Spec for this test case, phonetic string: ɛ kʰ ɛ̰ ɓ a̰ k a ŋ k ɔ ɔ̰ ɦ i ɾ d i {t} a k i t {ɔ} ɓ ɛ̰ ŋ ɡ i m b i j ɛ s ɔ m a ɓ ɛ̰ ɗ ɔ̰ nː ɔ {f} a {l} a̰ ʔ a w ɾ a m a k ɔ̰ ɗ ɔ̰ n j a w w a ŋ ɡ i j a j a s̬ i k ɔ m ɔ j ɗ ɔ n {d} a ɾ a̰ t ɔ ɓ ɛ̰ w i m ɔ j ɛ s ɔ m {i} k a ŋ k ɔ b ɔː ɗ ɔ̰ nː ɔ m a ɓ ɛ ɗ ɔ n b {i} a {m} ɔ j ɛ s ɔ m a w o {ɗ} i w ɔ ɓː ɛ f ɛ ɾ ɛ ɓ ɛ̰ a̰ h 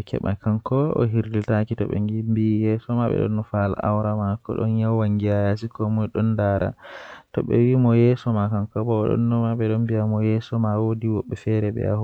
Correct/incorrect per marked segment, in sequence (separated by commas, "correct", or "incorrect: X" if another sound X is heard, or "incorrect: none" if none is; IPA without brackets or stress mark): correct, correct, correct, correct, correct, incorrect: a, correct, correct, incorrect: d